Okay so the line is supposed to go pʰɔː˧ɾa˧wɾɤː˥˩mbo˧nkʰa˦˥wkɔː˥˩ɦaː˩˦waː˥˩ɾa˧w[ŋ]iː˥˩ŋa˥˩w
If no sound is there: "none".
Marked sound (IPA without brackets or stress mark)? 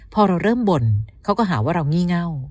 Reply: ŋ